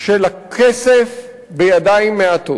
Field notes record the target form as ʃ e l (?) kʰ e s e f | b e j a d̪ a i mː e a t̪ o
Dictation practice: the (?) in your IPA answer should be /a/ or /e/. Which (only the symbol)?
a